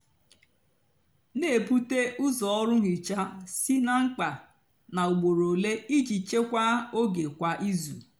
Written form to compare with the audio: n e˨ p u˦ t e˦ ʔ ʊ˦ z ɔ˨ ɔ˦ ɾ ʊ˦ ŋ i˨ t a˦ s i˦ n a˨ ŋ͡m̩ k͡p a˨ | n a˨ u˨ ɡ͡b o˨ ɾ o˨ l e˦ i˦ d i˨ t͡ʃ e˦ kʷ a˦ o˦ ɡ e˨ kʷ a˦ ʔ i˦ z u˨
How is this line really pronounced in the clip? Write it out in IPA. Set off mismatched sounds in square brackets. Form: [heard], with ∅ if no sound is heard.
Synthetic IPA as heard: n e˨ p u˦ t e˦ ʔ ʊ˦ z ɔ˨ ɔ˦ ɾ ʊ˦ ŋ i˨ [t͡ʃ] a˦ s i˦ n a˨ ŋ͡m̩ k͡p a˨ | n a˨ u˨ ɡ͡b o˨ ɾ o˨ l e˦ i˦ [d͡ʒ] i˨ t͡ʃ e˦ kʷ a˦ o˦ ɡ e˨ kʷ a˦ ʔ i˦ z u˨